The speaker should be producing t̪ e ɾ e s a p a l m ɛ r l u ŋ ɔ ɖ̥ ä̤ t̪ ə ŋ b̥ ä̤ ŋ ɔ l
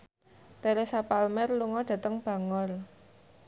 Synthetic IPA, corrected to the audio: t̪ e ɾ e s a p a l m ɛ r l u ŋ ɔ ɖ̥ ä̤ t̪ ə ŋ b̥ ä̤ ŋ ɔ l